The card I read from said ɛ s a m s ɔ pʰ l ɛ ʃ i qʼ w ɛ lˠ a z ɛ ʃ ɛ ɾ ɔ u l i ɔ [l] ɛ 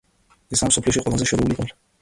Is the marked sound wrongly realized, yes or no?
no